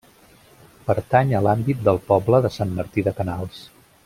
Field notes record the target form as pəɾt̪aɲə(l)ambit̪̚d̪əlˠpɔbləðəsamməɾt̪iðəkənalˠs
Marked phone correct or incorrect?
correct